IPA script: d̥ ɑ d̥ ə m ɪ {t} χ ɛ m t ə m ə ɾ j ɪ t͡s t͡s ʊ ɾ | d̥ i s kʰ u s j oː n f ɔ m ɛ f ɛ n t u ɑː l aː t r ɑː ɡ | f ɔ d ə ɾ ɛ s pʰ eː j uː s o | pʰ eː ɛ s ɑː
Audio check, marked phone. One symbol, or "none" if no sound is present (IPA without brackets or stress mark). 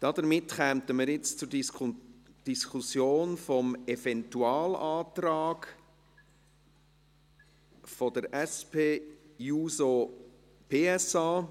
t